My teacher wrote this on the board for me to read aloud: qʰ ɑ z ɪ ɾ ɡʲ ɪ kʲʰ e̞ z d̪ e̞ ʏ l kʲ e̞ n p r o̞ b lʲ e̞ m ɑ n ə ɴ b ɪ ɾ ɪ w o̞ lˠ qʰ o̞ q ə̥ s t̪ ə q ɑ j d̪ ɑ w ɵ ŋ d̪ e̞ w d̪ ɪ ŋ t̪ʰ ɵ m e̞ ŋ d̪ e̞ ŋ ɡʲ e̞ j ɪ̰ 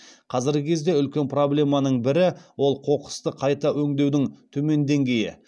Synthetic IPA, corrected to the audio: qʰ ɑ z ɪ ɾ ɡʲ ɪ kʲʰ e̞ z d̪ e̞ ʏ l kʲ e̞ n p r o̞ b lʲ e̞ m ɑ n ə ɴ b ɪ ɾ ɪ w o̞ lˠ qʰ o̞ q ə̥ s t̪ ə qʰ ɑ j t̪ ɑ w ɵ ŋ d̪ e̞ w d̪ ɪ ŋ t̪ʰ ɵ m e̞ n d̪ e̞ ŋ ɡʲ e̞ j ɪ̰